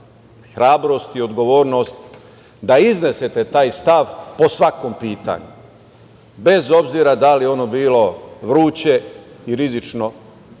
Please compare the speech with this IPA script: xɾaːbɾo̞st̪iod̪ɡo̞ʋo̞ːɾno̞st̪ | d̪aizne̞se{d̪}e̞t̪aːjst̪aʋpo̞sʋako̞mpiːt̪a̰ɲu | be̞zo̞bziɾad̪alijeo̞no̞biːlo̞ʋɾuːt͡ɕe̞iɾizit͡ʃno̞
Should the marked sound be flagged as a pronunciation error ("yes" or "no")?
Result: yes